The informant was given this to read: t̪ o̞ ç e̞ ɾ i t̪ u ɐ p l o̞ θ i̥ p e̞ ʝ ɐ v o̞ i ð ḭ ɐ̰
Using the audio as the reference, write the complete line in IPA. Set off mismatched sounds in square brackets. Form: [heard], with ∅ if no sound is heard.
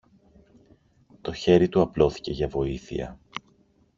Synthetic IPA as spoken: t̪ o̞ ç e̞ ɾ i t̪ u ɐ p l o̞ θ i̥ [c] e̞ ʝ ɐ v o̞ i [θ] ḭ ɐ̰